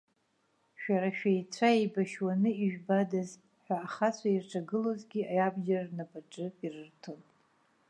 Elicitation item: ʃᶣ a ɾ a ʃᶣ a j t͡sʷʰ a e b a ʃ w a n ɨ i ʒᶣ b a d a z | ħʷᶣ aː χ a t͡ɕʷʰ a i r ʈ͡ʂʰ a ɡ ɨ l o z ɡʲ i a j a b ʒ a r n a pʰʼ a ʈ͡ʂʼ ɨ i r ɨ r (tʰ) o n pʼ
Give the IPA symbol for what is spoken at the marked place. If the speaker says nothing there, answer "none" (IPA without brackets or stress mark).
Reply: tʰ